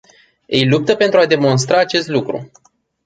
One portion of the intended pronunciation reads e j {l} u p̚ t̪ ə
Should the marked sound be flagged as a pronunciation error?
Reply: no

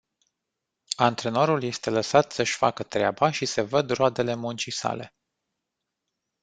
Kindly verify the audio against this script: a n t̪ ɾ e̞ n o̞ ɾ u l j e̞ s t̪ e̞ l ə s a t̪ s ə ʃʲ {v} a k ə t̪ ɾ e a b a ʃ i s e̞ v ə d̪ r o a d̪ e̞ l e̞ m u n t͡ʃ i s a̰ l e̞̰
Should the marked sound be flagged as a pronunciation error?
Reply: yes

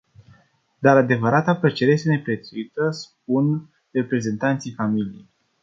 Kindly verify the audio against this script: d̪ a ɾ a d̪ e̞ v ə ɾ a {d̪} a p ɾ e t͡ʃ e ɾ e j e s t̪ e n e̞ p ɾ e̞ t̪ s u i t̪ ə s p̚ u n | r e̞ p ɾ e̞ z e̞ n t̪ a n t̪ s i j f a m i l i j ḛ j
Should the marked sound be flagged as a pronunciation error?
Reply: yes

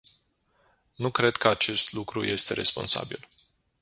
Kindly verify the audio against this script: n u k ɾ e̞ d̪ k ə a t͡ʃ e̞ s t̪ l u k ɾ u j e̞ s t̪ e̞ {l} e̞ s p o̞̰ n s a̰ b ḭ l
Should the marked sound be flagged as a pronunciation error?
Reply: yes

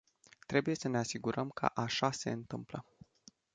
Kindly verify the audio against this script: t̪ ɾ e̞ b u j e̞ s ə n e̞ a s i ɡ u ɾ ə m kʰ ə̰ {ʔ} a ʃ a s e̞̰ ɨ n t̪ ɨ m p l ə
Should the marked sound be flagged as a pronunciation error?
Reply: no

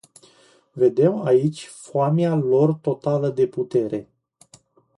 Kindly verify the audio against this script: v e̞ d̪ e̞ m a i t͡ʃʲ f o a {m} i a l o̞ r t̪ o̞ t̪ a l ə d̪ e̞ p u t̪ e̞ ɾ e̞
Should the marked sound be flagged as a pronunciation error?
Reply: no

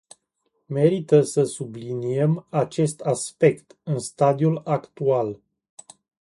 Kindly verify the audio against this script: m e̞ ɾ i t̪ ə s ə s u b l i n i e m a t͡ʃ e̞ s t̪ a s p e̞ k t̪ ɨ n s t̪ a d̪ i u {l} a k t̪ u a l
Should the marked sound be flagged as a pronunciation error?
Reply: no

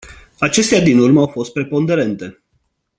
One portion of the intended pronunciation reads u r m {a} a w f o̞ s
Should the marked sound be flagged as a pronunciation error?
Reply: yes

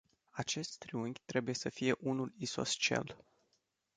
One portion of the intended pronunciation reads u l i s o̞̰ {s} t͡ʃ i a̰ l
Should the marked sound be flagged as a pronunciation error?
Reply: no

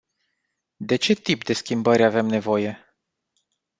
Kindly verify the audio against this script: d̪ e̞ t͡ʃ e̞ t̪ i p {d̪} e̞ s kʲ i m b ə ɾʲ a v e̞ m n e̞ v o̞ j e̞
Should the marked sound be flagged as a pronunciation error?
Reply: no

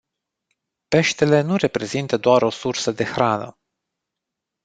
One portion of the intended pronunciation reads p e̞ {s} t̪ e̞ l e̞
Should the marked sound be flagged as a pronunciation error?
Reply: yes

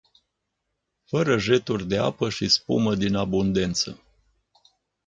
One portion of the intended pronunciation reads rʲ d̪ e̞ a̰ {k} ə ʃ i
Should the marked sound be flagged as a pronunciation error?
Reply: yes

